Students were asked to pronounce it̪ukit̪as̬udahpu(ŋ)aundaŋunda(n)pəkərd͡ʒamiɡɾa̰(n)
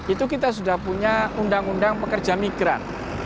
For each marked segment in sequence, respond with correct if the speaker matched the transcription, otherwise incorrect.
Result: incorrect, incorrect, correct

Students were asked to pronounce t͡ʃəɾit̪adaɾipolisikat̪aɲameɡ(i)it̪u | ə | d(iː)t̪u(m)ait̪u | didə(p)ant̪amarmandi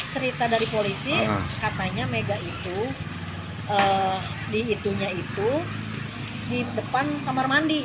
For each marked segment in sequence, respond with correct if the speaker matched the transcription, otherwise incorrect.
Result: incorrect, correct, incorrect, correct

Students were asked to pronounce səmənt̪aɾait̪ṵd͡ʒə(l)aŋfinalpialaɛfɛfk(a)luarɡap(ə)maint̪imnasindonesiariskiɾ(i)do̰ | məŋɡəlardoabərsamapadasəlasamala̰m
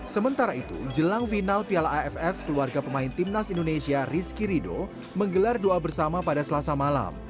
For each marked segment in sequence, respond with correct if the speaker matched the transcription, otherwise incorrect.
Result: correct, incorrect, correct, correct

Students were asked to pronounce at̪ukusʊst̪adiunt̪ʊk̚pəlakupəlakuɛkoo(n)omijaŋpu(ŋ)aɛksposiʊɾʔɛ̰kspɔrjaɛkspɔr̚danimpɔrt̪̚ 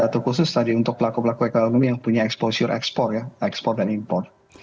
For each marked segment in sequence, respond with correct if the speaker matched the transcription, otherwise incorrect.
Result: correct, incorrect

